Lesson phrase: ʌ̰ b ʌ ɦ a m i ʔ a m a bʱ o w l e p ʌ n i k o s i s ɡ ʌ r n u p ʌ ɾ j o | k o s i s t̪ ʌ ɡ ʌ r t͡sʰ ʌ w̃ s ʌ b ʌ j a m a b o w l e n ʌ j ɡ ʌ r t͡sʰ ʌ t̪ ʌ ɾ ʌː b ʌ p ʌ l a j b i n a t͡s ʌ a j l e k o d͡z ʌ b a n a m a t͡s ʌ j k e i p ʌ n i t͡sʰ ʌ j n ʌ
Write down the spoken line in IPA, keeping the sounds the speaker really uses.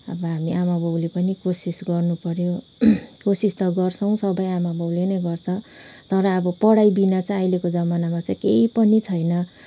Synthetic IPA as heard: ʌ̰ b ʌ ɦ a m i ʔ a m a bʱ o w l e p ʌ n i k o s i s ɡ ʌ r n u p ʌ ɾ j o | k o s i s t̪ ʌ ɡ ʌ r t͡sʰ ʌ w̃ s ʌ b ʌ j a m a b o w l e n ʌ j ɡ ʌ r t͡sʰ ʌ t̪ ʌ ɾ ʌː b ʌ p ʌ ɽ a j b i n a t͡s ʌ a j l e k o d͡z ʌ m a n a m a t͡s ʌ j k e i p ʌ n i t͡sʰ ʌ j n ʌ

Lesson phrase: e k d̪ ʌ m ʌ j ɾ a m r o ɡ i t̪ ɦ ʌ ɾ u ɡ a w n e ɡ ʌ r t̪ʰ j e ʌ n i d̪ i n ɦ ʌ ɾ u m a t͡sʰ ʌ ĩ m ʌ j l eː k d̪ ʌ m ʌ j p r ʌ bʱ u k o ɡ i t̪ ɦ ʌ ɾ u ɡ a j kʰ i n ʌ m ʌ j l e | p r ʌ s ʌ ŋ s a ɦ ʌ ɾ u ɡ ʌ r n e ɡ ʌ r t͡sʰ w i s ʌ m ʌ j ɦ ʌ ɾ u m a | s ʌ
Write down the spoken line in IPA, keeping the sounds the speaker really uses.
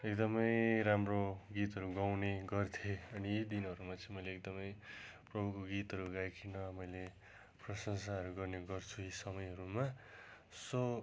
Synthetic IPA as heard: e k d̪ ʌ m ʌ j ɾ a m r o ɡ i t̪ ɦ ʌ ɾ u ɡ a w n e ɡ ʌ r t̪ʰ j e ʌ n i d̪ i n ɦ ʌ ɾ u m a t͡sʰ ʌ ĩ m ʌ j l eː k d̪ ʌ m ʌ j p r ʌ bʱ u k o ɡ i t̪ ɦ ʌ ɾ u ɡ a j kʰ i n ʌ m ʌ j l e | p r ʌ s ʌ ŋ s a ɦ ʌ ɾ u ɡ ʌ r n e ɡ ʌ r t͡sʰ u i s ʌ m ʌ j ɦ ʌ ɾ u m a | s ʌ

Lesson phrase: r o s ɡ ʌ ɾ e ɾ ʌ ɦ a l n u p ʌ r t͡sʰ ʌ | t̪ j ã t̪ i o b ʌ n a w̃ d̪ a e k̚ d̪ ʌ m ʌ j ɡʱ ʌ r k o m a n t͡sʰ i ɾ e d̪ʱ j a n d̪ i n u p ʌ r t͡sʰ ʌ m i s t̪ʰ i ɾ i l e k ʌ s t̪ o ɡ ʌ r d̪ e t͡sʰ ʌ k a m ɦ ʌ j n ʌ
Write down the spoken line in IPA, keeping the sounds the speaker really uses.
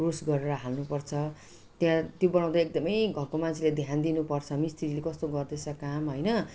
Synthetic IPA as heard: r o s ɡ ʌ ɾ e ɾ ʌ ɦ a l n u p ʌ r t͡sʰ ʌ | t̪ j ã t̪ j o b ʌ n a w̃ d̪ a e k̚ d̪ ʌ m ʌ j ɡʱ ʌ r k o m a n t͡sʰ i l e d̪ʱ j a n d̪ i n u p ʌ r t͡sʰ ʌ m i s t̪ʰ i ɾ i l e k ʌ s t̪ o ɡ ʌ r d̪ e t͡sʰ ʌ k a m ɦ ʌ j n ʌ

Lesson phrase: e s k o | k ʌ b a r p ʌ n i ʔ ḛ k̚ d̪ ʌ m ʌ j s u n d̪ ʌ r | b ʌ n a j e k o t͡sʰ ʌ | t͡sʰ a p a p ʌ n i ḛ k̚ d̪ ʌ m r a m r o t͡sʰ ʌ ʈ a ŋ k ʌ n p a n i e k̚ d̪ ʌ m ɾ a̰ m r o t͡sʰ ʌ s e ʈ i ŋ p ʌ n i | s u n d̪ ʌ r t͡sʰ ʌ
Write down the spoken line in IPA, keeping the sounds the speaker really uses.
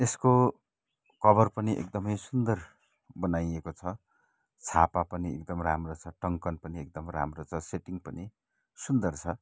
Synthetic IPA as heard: e s k o | k ʌ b ʌ r p ʌ n i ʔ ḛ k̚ d̪ ʌ m ʌ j s u n d̪ ʌ r | b ʌ n a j e k o t͡sʰ ʌ | t͡sʰ a p a p ʌ n i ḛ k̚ d̪ ʌ m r a m r o t͡sʰ ʌ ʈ ʌ ŋ k ʌ n p ʌ n i e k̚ d̪ ʌ m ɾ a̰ m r o t͡sʰ ʌ s e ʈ i ŋ p ʌ n i | s u n d̪ ʌ r t͡sʰ ʌ

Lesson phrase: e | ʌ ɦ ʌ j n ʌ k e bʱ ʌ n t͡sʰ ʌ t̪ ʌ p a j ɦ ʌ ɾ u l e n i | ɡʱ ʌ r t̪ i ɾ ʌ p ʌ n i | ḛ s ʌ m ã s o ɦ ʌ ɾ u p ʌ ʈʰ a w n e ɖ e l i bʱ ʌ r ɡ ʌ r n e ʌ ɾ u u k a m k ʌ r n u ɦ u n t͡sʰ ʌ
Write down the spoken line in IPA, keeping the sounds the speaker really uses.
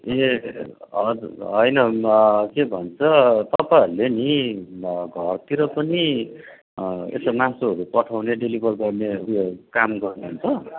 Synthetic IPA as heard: e | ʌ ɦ ʌ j n ʌ k e bʱ ʌ n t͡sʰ ʌ t̪ ʌ p a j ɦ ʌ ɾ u l e n i | ɡʱ ʌ r t̪ i ɾ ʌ p ʌ n i | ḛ s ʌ m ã s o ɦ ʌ ɾ u p ʌ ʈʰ a w n e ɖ e l i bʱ ʌ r ɡ ʌ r n e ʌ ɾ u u k a m ɡ ʌ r n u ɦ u n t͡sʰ ʌ

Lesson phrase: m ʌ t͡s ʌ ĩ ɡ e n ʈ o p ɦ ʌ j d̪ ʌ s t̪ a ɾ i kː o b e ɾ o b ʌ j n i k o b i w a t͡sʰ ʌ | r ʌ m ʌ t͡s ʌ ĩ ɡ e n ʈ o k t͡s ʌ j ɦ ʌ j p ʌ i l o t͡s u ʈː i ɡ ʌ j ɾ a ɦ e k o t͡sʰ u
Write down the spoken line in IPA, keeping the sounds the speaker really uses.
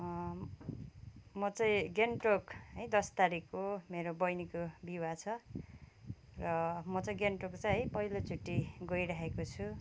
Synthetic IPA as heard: m ʌ t͡s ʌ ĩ ɡ e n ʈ o k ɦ ʌ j d̪ ʌ s t̪ a ɾ i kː o m e ɾ o b ʌ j n i k o b i w a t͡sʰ ʌ | r ʌ m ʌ t͡s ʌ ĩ ɡ e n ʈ o k t͡s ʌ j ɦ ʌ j p ʌ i l o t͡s u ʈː i ɡ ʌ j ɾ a ɦ e k o t͡sʰ u

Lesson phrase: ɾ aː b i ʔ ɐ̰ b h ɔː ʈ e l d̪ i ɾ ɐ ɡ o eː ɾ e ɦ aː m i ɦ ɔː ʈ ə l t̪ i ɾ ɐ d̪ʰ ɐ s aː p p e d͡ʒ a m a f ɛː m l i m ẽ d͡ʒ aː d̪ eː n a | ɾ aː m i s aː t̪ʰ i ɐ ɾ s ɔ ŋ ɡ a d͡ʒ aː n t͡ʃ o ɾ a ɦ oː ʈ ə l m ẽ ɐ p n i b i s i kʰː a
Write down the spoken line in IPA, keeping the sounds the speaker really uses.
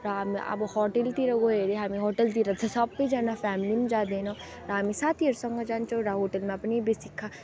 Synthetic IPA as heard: ɾ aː m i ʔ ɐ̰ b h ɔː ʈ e l t̪ i ɾ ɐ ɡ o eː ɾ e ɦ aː m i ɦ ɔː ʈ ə l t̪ i ɾ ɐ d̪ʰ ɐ s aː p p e d͡ʒ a n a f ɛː m l i m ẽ d͡ʒ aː d̪ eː n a | ɾ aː m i s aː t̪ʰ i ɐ ɾ s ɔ ŋ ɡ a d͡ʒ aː n t͡ʃ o ɾ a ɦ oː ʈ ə l m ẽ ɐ p n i b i s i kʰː a

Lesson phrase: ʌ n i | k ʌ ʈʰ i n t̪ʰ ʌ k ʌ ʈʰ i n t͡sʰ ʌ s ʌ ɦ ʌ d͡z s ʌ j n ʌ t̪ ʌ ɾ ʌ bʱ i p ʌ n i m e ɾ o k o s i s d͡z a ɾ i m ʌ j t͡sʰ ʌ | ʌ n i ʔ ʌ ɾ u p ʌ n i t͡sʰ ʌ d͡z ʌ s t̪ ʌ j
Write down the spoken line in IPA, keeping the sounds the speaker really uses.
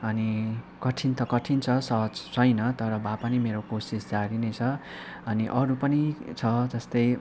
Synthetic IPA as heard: ʌ n i | k ʌ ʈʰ i n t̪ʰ ʌ k ʌ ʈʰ i n t͡sʰ ʌ s ʌ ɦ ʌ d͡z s ʌ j n ʌ t̪ ʌ ɾ ʌ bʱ a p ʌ n i m e ɾ o k o s i s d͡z a ɾ i n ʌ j t͡sʰ ʌ | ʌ n i ʔ ʌ ɾ u p ʌ n i t͡sʰ ʌ d͡z ʌ s t̪ ʌ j

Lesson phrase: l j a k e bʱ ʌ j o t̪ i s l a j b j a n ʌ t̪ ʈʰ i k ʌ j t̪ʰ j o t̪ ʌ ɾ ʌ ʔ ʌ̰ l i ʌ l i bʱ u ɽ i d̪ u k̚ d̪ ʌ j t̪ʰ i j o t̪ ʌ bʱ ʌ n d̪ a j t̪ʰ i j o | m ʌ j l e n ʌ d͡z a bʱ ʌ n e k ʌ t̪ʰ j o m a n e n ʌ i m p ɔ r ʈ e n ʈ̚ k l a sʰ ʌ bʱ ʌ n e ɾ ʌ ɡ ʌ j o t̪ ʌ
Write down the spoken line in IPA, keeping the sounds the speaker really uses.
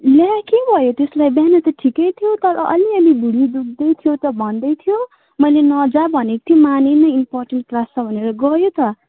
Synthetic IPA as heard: l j a k e bʱ ʌ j o t̪ e s l a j b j a n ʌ t̪ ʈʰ i k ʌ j t̪ʰ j o t̪ ʌ ɾ ʌ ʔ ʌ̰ l i ʌ l i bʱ u ɽ i d̪ u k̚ d̪ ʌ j t̪ʰ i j o t̪ ʌ bʱ ʌ n d̪ ʌ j t̪ʰ i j o | m ʌ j l e n ʌ d͡z a bʱ ʌ n e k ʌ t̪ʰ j o m a n e n ʌ i m p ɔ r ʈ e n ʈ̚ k l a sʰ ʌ bʱ ʌ n e ɾ ʌ ɡ ʌ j o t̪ ʌ

